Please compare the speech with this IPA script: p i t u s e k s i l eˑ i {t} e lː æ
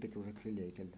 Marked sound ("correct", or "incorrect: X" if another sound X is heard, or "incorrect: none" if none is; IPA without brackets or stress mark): incorrect: k